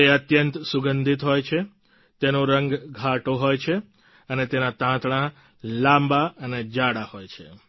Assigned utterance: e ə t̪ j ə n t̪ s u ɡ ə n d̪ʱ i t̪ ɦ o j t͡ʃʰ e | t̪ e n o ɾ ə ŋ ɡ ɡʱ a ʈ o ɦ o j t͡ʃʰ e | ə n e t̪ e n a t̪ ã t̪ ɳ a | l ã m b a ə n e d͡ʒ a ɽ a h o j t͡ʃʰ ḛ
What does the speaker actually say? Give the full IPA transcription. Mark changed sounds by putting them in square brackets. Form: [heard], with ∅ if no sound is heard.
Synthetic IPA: e ə t̪ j ə n t̪ s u ɡ ə n d̪ʱ i t̪ ɦ o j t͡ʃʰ e | t̪ e n o ɾ ə ŋ ɡ ɡʱ a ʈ o ɦ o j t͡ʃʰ e | ə n e t̪ e n a t̪ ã t̪ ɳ a | l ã m b a ə n e d͡ʒ a ɽ a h o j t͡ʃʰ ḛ